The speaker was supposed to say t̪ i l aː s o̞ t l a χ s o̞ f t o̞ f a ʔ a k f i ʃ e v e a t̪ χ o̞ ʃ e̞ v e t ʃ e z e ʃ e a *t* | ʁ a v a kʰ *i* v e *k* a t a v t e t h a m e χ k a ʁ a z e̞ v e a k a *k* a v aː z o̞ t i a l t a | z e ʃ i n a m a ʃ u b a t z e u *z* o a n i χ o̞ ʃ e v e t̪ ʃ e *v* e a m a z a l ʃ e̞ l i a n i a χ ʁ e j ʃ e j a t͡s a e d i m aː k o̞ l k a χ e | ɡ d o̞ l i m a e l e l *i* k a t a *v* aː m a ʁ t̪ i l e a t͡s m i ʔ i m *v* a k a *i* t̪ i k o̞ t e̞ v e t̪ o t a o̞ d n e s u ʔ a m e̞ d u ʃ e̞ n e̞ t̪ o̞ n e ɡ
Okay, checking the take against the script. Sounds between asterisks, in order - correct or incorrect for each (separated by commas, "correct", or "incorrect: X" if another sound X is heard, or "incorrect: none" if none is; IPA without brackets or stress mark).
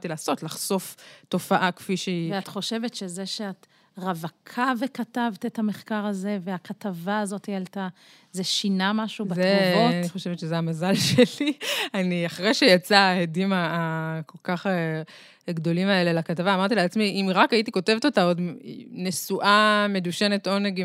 correct, incorrect: a, correct, incorrect: t, incorrect: v, incorrect: z, incorrect: a, correct, incorrect: ʁ, correct